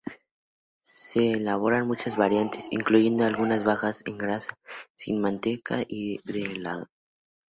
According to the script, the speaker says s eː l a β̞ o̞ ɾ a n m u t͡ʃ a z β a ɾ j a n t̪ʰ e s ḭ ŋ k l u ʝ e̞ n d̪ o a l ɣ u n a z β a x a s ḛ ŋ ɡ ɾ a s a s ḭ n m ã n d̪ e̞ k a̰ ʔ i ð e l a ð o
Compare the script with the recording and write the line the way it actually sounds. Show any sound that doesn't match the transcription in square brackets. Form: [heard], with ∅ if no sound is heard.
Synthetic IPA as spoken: s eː l a β̞ o̞ ɾ a n m u t͡ʃ a z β a ɾ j a n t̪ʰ e s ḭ ŋ k l u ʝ e̞ n d̪ o a l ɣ u n a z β a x a s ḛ ŋ ɡ ɾ a s a s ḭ n m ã n [t̪] e̞ k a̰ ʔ i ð e l a ð o